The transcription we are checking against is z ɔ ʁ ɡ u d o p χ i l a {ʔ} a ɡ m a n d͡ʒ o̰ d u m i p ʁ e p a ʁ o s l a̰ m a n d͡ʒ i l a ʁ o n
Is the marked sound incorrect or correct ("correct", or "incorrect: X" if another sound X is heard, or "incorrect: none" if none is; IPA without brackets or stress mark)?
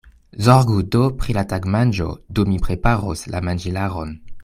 incorrect: t